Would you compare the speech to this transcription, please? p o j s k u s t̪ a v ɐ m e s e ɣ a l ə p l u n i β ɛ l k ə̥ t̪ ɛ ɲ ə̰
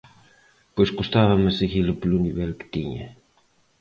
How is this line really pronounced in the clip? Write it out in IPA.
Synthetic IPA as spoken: p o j s k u s t̪ a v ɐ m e s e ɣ i l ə p l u n i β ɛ l k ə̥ t̪ i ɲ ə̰